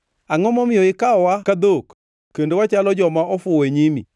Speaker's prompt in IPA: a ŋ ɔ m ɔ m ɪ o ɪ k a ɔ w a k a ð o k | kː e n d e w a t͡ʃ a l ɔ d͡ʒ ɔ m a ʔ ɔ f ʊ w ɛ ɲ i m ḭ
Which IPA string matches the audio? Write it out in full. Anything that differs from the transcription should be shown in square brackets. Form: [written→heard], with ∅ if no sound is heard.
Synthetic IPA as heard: a ŋ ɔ m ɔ m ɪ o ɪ k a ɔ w a k a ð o k | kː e n d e w a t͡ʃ a l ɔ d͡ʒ ɔ m a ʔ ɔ f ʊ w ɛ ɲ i m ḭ